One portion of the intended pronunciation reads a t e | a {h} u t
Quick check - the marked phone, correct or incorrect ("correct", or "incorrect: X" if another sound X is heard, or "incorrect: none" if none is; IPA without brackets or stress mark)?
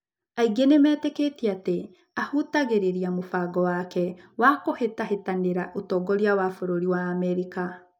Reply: correct